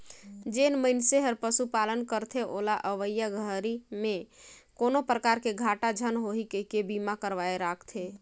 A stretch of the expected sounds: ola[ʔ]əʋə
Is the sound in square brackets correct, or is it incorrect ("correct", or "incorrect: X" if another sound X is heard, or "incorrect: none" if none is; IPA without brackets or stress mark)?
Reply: correct